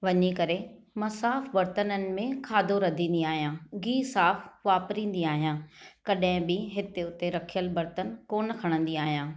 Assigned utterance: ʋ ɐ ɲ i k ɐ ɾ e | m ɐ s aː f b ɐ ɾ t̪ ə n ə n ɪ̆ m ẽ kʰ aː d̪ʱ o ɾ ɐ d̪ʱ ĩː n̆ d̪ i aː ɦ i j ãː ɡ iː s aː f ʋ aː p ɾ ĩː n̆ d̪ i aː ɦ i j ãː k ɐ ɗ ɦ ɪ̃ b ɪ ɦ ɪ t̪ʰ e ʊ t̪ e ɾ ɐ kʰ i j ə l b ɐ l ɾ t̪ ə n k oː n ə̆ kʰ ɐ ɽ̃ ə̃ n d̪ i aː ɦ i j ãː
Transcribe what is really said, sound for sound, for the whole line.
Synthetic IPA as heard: ʋ ɐ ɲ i k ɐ ɾ e | m ɐ s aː f b ɐ ɾ t̪ ə n ə n ɪ̆ m ẽ kʰ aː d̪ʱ o ɾ ɐ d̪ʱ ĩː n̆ d̪ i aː ɦ i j ãː ɡ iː s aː f ʋ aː p ɾ ĩː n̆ d̪ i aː ɦ i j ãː k ɐ ɗ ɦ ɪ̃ b ɪ ɦ ɪ t̪ e ʊ t̪ e ɾ ɐ kʰ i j ə l b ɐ ɾ t̪ ə n k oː n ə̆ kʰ ɐ ɽ̃ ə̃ n d̪ i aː ɦ i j ãː